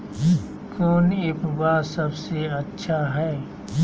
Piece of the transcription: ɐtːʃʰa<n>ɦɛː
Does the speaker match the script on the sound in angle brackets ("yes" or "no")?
no